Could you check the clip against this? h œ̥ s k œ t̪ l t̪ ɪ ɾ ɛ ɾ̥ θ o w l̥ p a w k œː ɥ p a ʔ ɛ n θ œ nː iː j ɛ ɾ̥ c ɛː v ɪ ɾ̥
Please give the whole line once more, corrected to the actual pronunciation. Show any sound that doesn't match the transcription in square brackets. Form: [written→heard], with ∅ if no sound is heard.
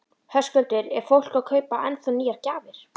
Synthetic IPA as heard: h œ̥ s k œ [t̪→∅] l t̪ ɪ ɾ ɛ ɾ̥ [θ→f] o w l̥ [p→k] a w [k→kʰ] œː ɥ p a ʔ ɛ n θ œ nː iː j [ɛ→a] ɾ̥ c [ɛː→aː] v ɪ ɾ̥